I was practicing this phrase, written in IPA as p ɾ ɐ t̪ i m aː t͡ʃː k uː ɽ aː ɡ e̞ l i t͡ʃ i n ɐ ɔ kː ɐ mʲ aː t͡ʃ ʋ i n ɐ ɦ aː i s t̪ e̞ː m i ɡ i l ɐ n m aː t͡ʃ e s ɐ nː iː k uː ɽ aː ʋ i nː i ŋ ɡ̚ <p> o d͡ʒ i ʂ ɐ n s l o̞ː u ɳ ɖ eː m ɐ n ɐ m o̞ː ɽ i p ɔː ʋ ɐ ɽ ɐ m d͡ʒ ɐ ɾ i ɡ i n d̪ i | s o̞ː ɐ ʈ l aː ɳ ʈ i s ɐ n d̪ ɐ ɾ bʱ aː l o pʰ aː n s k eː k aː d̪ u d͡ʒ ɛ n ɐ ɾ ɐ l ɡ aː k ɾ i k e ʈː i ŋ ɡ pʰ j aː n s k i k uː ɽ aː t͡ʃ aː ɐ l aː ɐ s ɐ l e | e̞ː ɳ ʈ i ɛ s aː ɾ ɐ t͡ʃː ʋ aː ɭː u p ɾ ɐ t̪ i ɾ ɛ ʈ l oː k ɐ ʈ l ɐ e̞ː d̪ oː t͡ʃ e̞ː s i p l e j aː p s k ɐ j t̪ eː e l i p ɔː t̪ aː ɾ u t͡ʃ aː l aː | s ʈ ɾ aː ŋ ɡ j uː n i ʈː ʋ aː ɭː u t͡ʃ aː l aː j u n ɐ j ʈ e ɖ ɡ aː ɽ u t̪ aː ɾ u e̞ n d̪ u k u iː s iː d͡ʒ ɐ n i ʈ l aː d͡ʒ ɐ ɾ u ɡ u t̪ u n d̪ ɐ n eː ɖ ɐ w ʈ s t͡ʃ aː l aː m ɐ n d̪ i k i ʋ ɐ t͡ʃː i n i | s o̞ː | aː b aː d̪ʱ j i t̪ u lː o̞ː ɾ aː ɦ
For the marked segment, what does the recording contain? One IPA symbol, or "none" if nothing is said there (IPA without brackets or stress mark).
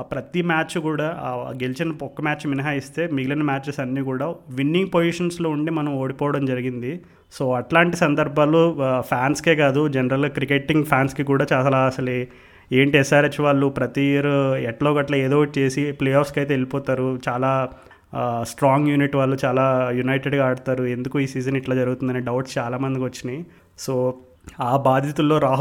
p